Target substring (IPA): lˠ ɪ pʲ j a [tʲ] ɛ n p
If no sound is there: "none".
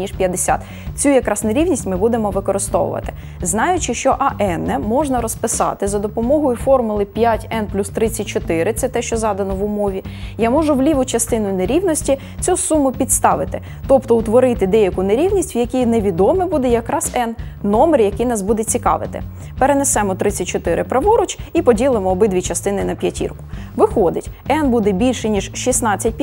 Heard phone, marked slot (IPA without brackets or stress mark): tʲ